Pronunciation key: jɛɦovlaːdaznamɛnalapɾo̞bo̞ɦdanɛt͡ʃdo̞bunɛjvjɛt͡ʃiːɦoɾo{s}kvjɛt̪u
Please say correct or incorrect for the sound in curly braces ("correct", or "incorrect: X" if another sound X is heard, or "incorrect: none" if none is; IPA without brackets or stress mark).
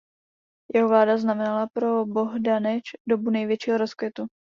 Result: correct